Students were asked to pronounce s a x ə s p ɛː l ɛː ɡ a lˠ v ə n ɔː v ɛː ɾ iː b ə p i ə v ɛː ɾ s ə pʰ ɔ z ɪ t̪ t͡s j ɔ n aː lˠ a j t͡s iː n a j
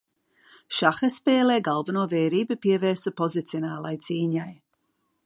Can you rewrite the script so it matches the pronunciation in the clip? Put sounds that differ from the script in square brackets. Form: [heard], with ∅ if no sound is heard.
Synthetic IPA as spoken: [ʃ] a x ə s p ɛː l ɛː ɡ a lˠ v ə n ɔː v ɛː ɾ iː b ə p i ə v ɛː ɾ s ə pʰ ɔ z ɪ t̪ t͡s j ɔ n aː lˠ a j t͡s iː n a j